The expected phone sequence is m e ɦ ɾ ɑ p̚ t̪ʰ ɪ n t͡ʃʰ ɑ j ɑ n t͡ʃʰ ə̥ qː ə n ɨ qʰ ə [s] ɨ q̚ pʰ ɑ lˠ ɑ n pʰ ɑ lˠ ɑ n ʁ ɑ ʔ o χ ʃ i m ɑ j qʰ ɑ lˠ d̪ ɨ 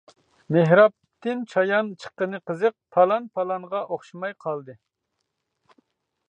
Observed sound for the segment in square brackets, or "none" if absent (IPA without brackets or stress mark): z